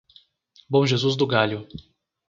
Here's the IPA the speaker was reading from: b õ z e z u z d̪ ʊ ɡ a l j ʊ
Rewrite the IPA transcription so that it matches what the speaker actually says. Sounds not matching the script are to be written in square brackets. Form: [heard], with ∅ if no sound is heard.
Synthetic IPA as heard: b õ [ʒ] e z u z d̪ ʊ ɡ a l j ʊ